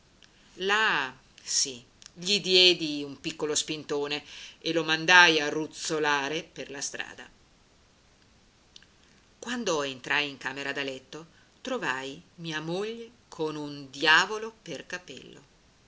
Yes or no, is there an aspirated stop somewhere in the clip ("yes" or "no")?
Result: yes